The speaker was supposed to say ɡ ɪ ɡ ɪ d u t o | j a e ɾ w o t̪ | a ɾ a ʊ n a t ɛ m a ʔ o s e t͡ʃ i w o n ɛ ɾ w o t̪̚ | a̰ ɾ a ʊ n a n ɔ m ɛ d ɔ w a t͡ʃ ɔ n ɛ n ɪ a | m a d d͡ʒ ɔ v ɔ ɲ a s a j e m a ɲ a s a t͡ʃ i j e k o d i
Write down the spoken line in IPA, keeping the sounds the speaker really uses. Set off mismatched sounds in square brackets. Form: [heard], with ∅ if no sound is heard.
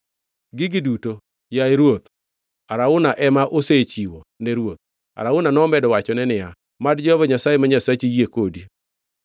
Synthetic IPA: ɡ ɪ ɡ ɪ d u t o | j a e ɾ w o t̪ | a ɾ a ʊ n a [ʔ] ɛ m a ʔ o s e t͡ʃ i w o n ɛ ɾ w o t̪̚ | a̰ ɾ a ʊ n a n ɔ m ɛ d ɔ w a t͡ʃ ɔ n ɛ n ɪ a | m a d d͡ʒ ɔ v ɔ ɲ a s a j e m a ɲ a s a t͡ʃ i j e k o d i